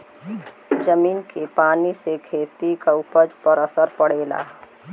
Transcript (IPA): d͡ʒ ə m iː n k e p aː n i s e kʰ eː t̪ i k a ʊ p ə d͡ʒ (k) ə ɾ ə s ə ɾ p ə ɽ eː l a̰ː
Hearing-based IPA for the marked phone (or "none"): p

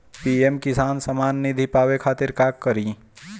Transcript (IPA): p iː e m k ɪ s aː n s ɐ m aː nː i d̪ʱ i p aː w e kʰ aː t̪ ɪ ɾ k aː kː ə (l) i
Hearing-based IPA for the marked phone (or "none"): ɾ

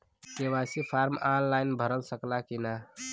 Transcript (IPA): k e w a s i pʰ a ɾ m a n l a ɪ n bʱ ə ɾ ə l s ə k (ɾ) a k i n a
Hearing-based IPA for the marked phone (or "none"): l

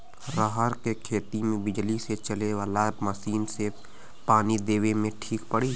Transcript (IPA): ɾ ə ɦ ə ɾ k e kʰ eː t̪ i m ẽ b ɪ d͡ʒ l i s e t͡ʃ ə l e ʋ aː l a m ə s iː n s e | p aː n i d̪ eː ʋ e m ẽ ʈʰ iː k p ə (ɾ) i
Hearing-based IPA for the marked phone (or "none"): ɽ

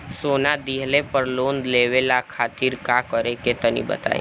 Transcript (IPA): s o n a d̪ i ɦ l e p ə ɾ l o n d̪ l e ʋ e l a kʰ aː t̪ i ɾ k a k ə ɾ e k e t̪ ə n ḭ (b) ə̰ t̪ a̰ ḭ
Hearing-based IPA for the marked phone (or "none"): b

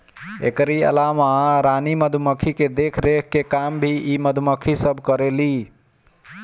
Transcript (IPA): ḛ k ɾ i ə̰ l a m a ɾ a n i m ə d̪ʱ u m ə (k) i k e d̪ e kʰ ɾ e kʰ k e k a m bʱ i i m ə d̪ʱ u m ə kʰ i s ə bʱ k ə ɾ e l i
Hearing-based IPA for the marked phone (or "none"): kʰ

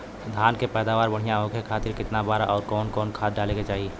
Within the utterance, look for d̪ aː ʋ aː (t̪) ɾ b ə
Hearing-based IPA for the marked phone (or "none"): none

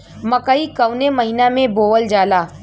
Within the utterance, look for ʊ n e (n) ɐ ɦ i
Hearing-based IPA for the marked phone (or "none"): m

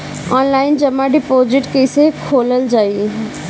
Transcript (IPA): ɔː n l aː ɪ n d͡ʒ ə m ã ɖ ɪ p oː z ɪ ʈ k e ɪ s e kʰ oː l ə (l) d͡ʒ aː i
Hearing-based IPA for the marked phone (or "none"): l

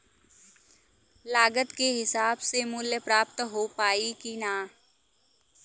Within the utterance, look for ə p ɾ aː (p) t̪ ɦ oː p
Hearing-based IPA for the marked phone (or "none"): p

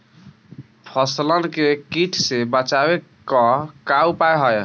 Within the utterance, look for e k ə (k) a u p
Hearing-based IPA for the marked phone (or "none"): k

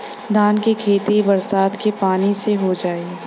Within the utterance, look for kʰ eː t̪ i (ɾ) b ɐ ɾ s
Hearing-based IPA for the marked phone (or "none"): none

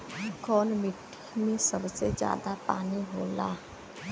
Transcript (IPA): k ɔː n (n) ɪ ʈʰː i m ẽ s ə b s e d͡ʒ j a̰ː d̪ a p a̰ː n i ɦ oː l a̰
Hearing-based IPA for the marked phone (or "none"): m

